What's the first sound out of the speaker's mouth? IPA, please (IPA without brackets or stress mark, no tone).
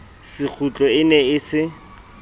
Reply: s